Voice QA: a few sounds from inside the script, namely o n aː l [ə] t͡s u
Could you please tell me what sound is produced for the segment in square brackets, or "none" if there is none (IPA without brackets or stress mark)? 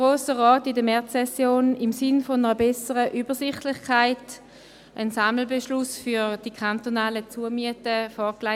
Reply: ə